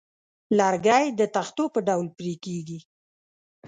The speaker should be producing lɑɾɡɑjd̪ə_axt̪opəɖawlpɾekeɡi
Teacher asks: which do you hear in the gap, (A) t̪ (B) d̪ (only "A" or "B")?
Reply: A